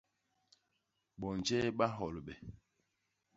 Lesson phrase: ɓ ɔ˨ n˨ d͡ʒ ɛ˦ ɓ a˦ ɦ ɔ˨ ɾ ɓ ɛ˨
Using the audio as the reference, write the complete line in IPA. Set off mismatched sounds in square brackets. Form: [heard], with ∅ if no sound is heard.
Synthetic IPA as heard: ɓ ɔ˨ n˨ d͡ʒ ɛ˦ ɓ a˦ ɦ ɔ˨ [l] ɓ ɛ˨

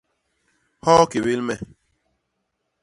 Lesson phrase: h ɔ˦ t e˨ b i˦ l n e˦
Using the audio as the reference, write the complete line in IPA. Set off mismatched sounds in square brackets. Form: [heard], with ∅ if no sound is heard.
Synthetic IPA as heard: h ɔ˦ [k] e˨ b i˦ l [m] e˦

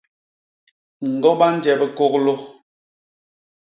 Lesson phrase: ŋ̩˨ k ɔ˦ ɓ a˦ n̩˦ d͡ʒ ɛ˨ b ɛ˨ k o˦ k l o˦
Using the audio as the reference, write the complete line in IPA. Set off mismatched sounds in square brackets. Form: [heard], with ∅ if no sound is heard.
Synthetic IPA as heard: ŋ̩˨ [ɡ] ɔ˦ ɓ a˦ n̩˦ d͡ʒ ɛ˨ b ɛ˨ k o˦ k l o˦

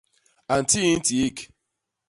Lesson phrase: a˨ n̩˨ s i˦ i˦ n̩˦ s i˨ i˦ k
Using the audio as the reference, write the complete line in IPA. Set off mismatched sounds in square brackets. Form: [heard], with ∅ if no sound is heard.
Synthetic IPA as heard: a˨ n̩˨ [t] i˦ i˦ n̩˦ [t] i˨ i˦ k

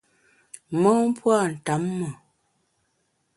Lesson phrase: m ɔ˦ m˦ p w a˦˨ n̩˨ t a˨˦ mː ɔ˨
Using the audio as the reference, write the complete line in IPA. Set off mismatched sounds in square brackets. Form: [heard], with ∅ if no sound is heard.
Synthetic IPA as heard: m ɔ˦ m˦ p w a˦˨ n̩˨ t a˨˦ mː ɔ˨

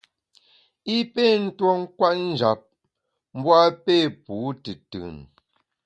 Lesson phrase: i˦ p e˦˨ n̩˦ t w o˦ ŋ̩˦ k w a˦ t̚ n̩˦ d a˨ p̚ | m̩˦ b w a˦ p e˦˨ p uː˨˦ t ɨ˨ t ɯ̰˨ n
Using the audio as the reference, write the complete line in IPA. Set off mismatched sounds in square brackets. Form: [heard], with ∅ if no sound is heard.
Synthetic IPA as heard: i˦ p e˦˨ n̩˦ t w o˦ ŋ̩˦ k w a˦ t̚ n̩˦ [d͡ʒ] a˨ p̚ | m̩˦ b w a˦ p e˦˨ p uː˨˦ t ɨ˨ t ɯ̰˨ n

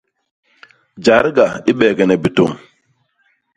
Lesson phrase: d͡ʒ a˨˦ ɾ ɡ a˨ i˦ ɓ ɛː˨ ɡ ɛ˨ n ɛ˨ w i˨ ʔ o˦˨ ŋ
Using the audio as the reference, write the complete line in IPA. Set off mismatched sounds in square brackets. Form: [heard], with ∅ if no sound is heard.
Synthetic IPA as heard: d͡ʒ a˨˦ ɾ ɡ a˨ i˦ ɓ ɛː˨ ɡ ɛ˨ n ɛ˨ [b] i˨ [t] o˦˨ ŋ

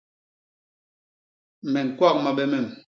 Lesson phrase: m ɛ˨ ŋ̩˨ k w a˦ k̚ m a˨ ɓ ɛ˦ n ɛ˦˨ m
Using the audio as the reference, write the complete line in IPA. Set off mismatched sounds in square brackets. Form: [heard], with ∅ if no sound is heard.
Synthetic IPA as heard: m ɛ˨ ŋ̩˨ k w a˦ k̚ m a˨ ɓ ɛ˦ [m] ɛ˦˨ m

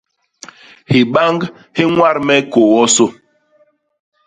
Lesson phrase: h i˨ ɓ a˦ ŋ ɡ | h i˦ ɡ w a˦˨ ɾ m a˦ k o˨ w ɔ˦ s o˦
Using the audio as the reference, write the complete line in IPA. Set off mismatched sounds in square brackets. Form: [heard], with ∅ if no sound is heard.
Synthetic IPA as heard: h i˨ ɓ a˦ ŋ ɡ | h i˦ [ŋ] w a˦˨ ɾ m [ɛ˦] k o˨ w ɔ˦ s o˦

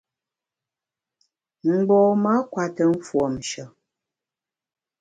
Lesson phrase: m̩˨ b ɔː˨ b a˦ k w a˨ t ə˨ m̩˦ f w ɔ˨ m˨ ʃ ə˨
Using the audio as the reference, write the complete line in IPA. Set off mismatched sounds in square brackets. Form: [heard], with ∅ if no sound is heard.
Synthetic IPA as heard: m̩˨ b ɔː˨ [m] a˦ k w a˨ t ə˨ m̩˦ f w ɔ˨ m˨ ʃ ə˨

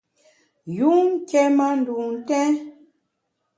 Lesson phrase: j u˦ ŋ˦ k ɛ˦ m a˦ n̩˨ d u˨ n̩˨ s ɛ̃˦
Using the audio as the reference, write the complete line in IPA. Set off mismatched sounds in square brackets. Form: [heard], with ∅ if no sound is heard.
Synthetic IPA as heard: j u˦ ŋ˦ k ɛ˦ m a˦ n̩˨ d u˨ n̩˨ [t] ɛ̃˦

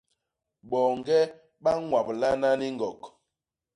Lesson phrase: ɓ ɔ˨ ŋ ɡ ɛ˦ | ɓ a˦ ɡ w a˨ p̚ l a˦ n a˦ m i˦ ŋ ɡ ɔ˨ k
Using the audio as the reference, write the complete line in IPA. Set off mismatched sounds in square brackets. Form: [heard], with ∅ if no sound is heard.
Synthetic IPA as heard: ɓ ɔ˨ ŋ ɡ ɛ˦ | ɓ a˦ [ŋ] w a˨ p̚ l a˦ n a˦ [n] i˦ ŋ ɡ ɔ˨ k

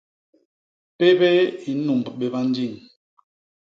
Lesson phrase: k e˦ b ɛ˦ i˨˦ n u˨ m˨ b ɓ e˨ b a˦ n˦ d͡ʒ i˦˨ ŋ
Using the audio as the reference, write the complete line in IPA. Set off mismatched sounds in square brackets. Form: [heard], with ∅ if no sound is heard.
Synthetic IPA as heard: [p] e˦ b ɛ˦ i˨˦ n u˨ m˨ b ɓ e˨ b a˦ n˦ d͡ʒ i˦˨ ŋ

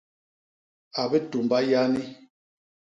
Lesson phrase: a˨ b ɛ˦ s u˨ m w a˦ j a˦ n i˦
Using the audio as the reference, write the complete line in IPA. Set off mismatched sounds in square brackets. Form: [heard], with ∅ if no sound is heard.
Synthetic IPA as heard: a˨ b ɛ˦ [t] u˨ m [b] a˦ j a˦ n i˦

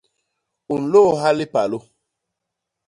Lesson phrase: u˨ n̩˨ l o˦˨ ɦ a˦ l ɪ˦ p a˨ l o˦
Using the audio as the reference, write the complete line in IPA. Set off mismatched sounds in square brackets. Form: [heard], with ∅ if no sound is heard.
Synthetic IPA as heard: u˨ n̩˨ l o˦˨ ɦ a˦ l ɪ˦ p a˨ l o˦

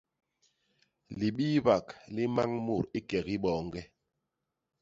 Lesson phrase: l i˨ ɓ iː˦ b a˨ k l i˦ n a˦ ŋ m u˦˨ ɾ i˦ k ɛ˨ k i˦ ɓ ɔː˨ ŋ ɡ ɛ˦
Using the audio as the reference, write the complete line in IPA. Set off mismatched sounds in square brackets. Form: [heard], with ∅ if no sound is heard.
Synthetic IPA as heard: l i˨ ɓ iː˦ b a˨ k l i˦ [m] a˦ ŋ m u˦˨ ɾ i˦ k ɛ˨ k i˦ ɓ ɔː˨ ŋ ɡ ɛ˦

